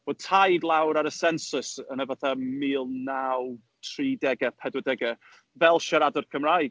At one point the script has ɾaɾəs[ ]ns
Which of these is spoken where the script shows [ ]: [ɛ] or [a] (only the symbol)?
ɛ